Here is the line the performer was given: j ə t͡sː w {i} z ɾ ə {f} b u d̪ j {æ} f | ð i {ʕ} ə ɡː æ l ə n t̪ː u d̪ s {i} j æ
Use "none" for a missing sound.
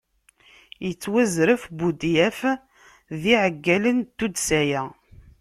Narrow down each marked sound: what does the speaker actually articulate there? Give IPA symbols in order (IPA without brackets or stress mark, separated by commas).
æ, f, æ, ʕ, æ